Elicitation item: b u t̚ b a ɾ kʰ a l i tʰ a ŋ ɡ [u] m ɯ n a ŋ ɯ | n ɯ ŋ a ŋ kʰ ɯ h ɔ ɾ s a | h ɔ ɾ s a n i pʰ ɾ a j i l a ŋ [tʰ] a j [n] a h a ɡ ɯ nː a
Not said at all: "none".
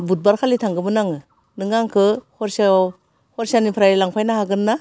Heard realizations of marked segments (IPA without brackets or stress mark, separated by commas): ɯ, pʰ, n